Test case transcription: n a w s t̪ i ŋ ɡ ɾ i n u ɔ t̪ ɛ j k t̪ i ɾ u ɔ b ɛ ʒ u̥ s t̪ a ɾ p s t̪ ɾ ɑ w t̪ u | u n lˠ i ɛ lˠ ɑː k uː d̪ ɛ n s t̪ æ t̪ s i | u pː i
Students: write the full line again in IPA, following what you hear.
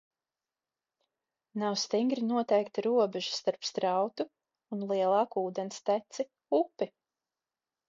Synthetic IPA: n a w s t̪ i ŋ ɡ ɾ i n u ɔ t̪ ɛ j k t̪ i ɾ u ɔ b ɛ ʒ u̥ s t̪ a ɾ p s t̪ ɾ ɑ w t̪ u | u n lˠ i ɛ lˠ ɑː k uː d̪ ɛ n s t̪ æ t̪ s i | u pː i